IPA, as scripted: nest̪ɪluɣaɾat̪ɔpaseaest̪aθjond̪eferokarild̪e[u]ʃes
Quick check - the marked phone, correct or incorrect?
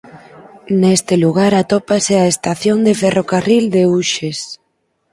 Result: correct